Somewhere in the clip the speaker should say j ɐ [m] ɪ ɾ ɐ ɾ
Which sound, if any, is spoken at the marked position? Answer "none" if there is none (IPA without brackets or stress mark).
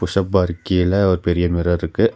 m